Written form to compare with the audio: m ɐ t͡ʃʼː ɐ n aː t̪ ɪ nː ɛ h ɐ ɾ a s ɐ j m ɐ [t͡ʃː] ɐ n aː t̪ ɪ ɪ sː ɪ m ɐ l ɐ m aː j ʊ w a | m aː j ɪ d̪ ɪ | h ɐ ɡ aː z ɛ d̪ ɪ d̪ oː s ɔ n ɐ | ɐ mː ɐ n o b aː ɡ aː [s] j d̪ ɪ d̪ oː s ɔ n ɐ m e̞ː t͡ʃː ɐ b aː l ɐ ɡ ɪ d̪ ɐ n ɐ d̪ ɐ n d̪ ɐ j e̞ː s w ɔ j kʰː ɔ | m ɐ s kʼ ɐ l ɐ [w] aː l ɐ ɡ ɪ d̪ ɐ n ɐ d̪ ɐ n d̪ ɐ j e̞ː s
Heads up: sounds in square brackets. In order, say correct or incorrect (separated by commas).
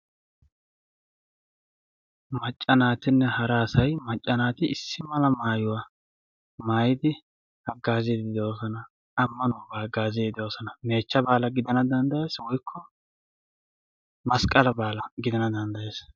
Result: incorrect, incorrect, incorrect